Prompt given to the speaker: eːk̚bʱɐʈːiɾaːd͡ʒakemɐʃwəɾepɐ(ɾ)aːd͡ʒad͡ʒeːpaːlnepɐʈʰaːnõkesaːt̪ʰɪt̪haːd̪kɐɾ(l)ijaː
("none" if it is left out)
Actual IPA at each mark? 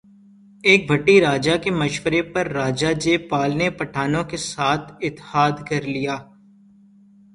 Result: ɾː, l

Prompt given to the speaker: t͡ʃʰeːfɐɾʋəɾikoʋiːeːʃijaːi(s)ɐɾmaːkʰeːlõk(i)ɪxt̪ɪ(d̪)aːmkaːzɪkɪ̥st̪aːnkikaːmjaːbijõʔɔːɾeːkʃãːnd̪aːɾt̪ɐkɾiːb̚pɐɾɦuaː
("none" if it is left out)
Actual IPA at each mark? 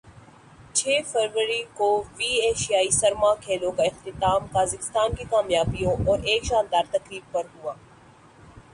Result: s, a, t̪

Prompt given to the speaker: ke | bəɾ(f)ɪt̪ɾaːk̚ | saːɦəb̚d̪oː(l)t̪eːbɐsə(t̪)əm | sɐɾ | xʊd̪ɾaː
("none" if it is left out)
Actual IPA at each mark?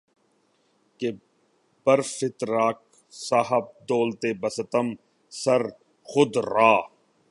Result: f, l, t̪

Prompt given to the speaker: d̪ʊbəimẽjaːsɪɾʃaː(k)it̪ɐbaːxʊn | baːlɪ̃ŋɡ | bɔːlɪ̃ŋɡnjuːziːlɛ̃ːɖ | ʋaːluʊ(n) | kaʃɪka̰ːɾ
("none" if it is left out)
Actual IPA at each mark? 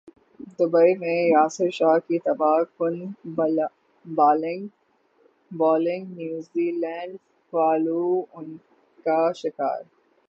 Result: k, n

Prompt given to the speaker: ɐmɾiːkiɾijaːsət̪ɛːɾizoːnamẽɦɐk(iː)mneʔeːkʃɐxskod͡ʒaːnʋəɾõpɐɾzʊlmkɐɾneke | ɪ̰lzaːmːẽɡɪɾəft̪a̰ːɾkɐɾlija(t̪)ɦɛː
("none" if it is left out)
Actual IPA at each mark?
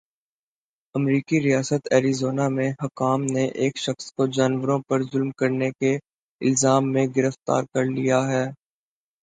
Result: aː, none

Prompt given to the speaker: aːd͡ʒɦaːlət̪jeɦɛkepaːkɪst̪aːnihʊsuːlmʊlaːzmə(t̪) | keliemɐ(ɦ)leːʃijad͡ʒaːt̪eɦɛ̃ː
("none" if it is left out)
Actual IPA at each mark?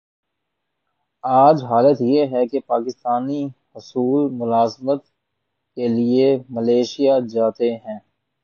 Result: t̪, none

